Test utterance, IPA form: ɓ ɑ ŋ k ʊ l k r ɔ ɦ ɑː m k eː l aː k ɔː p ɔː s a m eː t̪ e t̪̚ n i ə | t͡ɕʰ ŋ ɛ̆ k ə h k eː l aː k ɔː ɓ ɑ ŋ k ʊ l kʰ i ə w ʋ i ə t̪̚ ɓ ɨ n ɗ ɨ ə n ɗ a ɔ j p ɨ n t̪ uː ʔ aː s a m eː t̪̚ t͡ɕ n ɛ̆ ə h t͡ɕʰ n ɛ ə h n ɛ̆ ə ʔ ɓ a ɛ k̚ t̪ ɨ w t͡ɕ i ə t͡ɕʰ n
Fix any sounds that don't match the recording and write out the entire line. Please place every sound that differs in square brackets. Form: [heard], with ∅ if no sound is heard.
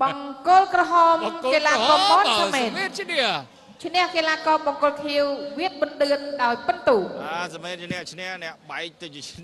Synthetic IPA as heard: ɓ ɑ ŋ k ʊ l k r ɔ ɦ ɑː m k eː l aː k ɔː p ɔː s a m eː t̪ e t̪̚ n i ə | t͡ɕʰ [n] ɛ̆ [∅] ə h k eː l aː k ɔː ɓ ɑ ŋ k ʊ l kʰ i ə w ʋ i ə t̪̚ ɓ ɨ n ɗ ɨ ə n ɗ a ɔ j p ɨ n t̪ uː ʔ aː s a m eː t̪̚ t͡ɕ n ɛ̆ ə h t͡ɕʰ n ɛ ə h n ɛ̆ ə ʔ ɓ a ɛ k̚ t̪ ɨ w t͡ɕ i ə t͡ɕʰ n

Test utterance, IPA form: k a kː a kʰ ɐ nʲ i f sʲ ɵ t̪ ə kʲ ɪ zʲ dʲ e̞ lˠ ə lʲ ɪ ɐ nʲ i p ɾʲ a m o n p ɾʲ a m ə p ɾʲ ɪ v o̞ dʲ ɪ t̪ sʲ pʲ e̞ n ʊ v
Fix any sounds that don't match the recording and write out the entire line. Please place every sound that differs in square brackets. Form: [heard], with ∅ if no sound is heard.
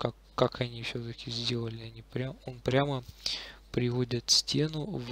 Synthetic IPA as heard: k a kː a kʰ ɐ nʲ i f sʲ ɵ t̪ ə kʲ ɪ zʲ dʲ e̞ lˠ ə lʲ ɪ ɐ nʲ i p ɾʲ a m o n p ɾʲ a m ə p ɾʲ ɪ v o̞ dʲ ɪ t̪ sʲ [tʲ] e̞ n ʊ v

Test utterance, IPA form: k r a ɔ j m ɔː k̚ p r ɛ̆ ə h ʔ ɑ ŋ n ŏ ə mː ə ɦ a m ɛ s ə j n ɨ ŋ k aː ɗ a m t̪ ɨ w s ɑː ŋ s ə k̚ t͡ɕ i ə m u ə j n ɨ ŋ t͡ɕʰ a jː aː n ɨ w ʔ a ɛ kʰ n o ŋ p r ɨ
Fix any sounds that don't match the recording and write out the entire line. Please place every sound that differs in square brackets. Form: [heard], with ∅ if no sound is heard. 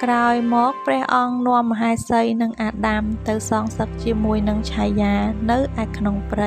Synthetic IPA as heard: k r a ɔ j m ɔː k̚ p r ɛ̆ ə h ʔ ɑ ŋ n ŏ ə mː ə ɦ a [∅] ɛ s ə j n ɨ ŋ [ʔ] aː ɗ a m t̪ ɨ w s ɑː ŋ s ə k̚ t͡ɕ i ə m u ə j n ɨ ŋ t͡ɕʰ a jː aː n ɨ w ʔ a ɛ kʰ n o ŋ p r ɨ

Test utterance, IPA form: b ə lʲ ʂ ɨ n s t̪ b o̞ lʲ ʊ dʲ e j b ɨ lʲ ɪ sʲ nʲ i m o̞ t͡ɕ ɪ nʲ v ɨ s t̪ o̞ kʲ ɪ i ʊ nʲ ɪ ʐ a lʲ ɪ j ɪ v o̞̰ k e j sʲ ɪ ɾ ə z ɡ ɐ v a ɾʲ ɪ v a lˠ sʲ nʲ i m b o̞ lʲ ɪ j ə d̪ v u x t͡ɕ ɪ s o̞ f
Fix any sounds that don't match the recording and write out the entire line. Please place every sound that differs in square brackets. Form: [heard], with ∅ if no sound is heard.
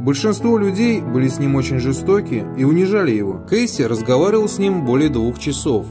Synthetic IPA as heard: b ə lʲ ʂ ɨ n s t̪ [v] o̞ lʲ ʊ dʲ e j b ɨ lʲ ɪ sʲ nʲ i m o̞ t͡ɕ ɪ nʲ [ʐ] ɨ s t̪ o̞ kʲ ɪ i ʊ nʲ ɪ ʐ a lʲ ɪ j ɪ v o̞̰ k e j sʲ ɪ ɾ ə z ɡ ɐ v a ɾʲ ɪ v [ə] lˠ sʲ nʲ i m b o̞ lʲ ɪ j ə d̪ v u x t͡ɕ ɪ s o̞ f

